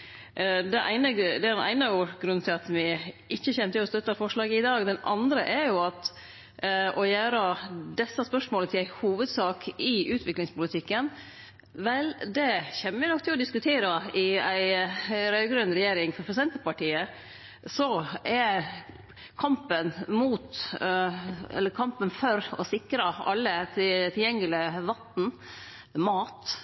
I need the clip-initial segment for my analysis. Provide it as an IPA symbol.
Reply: d̪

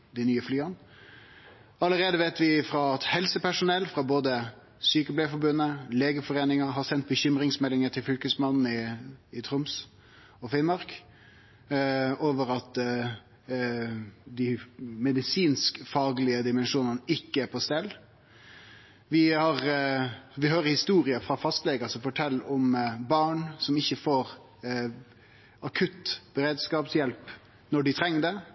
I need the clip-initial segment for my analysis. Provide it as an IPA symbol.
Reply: d̪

